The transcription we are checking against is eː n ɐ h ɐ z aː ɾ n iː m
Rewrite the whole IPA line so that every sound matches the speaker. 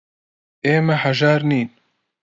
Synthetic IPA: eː m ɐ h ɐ ʒ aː ɾ n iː n